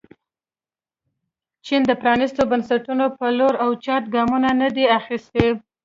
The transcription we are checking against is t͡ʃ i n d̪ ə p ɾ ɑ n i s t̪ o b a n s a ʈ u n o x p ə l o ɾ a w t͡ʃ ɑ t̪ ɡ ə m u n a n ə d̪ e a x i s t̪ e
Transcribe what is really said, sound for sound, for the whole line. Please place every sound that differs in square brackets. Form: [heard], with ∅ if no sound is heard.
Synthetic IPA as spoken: t͡ʃ i n d̪ ə p ɾ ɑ n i s t̪ o b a n s a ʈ u n o [∅] p ə l o ɾ a w t͡ʃ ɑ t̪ ɡ [ɑ] m u n a n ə d̪ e a x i s t̪ e

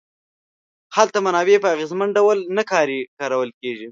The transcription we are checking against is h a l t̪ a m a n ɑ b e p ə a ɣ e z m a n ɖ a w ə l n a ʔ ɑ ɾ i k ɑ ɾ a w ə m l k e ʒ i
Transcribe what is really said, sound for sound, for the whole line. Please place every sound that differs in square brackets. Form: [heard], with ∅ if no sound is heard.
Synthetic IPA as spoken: h a l t̪ a m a n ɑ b e p ə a ɣ e z m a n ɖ a w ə l n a [k] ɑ ɾ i k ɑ ɾ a w ə [∅] l k e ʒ i

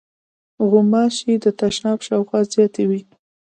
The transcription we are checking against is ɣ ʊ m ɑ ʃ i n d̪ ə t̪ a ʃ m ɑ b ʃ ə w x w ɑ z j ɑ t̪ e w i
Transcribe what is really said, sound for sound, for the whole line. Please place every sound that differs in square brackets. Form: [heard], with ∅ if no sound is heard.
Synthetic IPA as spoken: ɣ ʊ m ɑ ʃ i [∅] d̪ ə t̪ a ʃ [n] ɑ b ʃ [ɑ] w x w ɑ z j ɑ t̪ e w i

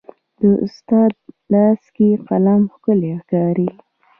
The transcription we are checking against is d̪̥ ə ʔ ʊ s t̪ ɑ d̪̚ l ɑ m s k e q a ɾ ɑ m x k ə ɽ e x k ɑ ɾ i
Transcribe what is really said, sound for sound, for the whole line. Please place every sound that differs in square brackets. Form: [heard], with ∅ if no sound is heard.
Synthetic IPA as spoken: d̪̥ ə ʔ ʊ s t̪ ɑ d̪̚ l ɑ [∅] s k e q a [l] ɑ m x k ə [l] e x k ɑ ɾ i

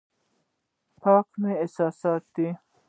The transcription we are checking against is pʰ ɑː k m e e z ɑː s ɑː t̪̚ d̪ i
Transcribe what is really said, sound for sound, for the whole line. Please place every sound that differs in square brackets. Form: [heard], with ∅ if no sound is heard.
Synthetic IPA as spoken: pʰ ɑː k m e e [s] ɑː s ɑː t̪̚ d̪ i

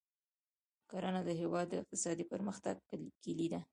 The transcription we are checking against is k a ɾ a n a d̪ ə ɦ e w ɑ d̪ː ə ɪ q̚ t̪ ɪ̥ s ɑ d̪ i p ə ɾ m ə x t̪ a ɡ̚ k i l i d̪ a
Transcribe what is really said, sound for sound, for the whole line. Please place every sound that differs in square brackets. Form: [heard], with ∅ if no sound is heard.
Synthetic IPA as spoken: k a ɾ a n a d̪ ə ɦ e w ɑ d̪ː ə ɪ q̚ t̪ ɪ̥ s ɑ d̪ i p ə ɾ m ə x t̪ a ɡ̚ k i l i d̪ a

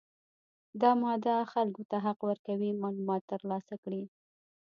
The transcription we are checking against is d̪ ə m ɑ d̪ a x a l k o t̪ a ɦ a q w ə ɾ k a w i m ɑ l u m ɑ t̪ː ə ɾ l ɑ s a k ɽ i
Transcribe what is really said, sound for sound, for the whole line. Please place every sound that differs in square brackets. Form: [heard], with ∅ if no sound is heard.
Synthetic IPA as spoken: d̪ [ɑ] m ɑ d̪ a x a l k o t̪ a ɦ a q w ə ɾ k a w i m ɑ l u m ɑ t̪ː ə ɾ l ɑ s a k ɽ i

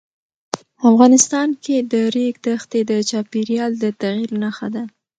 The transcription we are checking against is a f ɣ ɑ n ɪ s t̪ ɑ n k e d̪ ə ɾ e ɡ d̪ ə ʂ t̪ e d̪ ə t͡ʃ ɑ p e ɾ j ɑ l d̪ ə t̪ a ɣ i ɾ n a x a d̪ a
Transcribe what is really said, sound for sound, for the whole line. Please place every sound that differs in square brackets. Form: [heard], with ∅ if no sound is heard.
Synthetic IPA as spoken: a f ɣ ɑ n ɪ s t̪ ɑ n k e d̪ ə ɾ e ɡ d̪ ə [x] t̪ e d̪ ə t͡ʃ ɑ p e ɾ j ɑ l d̪ ə t̪ a ɣ i ɾ n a x a d̪ a

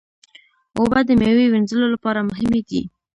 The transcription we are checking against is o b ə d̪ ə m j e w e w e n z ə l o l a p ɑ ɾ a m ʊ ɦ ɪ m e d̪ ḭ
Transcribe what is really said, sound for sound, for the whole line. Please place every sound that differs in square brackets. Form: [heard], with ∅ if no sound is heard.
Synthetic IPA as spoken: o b [a] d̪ ə m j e w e w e n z ə l o l a p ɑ ɾ a m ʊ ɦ ɪ m e d̪ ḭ

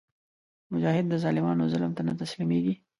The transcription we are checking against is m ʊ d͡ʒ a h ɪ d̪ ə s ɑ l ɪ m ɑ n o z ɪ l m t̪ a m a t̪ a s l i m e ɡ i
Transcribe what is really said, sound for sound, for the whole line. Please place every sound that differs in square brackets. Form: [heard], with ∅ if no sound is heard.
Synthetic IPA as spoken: m ʊ d͡ʒ [ɑ] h ɪ [d̪ː] ə [z] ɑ l ɪ m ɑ n o z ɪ l m t̪ a [n] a t̪ a s l i m e ɡ i

